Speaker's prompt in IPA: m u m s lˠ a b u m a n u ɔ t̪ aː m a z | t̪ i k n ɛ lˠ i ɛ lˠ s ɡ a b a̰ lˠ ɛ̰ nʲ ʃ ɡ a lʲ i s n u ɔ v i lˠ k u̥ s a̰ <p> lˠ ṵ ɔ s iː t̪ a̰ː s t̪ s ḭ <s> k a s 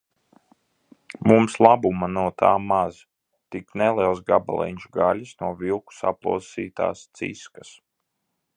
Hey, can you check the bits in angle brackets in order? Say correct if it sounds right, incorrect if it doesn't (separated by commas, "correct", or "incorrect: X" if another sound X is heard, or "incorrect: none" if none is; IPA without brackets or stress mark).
correct, correct